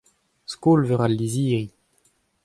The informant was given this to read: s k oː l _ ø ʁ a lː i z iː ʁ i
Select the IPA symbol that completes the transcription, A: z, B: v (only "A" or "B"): B